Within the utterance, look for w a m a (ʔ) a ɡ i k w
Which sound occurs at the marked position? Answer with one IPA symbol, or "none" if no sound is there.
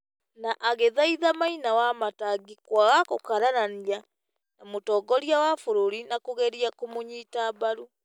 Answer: t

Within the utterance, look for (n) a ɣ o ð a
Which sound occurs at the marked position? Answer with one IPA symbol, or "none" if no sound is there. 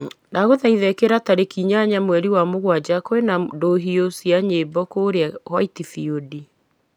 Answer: n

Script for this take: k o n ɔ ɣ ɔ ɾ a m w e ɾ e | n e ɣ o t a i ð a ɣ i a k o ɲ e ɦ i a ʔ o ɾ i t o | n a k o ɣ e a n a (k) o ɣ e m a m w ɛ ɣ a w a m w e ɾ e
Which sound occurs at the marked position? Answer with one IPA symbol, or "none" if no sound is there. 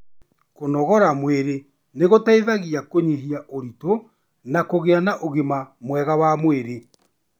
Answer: ʔ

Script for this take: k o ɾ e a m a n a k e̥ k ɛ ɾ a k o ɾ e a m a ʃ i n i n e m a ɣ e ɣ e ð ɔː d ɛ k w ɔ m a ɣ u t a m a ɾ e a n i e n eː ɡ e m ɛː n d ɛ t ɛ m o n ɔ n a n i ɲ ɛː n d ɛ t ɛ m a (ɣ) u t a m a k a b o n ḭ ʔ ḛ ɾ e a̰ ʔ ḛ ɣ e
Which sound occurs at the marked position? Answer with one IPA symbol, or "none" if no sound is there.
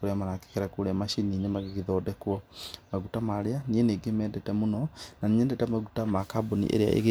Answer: ɣ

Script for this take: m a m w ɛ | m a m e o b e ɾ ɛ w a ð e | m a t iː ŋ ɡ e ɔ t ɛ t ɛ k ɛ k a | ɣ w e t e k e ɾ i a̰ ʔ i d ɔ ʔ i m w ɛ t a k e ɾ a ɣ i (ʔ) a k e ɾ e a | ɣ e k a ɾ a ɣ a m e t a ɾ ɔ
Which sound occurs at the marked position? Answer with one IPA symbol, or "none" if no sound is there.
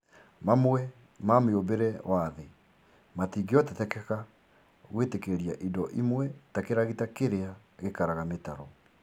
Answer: t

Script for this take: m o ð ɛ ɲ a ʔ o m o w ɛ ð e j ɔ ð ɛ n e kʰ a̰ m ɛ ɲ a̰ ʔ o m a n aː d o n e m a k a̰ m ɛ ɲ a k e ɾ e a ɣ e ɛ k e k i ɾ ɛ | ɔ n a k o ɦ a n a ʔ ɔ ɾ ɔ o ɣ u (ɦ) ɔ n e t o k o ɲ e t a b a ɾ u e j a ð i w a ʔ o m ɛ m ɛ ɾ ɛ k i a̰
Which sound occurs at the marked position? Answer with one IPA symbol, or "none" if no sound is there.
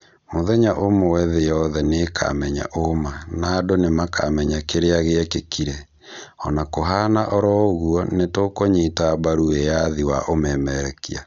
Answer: none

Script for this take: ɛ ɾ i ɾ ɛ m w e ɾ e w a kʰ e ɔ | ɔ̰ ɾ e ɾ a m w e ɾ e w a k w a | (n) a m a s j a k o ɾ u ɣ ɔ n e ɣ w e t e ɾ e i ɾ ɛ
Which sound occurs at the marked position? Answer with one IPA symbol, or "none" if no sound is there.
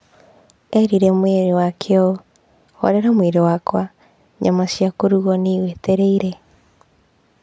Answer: ɲ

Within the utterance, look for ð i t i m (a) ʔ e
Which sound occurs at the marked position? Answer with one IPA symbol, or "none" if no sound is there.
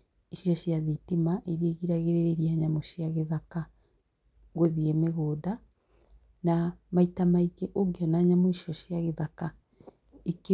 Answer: a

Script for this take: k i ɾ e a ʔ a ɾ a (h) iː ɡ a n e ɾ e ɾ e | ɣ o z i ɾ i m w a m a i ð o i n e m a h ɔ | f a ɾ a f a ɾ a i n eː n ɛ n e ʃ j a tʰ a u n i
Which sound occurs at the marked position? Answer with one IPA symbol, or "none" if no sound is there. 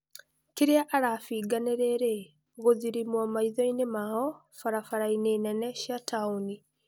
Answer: f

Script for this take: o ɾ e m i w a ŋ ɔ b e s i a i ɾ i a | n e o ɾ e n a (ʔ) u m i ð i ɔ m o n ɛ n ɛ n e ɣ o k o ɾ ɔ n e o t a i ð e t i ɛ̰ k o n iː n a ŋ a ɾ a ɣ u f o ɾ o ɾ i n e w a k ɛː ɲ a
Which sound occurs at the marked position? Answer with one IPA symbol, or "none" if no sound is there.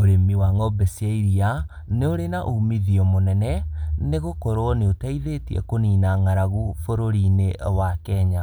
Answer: ʔ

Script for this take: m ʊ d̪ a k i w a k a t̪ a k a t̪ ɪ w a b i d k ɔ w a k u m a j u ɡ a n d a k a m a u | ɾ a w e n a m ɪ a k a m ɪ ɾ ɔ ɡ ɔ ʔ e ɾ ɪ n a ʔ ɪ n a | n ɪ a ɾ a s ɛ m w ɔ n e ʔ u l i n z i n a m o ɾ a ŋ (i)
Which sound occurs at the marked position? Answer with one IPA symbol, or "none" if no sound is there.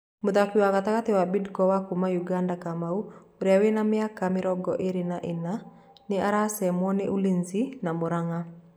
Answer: a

